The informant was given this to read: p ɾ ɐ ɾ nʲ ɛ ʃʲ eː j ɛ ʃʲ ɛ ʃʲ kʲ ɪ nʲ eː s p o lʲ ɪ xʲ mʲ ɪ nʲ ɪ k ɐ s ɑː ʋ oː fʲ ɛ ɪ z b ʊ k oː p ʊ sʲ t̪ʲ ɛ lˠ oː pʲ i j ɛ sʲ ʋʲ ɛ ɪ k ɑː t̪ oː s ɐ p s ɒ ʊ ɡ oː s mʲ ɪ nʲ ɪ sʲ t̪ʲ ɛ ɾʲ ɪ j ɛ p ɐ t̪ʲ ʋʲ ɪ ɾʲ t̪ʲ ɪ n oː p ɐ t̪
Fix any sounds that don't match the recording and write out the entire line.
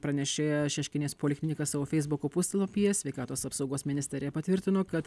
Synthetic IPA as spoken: p ɾ ɐ nʲ ɛ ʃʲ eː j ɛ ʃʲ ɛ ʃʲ kʲ ɪ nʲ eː s p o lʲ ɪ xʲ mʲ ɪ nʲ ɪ k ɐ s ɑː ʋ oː fʲ ɛ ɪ z b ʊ k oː p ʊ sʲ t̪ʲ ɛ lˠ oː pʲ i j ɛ sʲ ʋʲ ɛ ɪ k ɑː t̪ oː s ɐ p s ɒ ʊ ɡ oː s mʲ ɪ nʲ ɪ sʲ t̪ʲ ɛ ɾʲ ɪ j ɛ p ɐ t̪ʲ ʋʲ ɪ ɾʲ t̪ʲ ɪ n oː k ɐ t̪